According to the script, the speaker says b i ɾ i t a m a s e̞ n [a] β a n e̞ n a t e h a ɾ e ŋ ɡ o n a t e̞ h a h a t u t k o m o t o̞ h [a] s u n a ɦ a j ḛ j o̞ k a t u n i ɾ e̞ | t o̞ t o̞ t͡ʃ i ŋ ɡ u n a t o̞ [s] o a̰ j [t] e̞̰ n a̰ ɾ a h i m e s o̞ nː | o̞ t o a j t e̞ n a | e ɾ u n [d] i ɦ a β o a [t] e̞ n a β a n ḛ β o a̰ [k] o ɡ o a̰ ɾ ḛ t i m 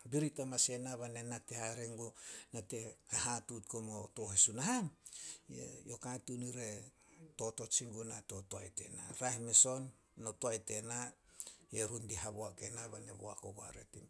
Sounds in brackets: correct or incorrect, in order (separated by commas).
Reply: correct, incorrect, incorrect, correct, correct, incorrect, correct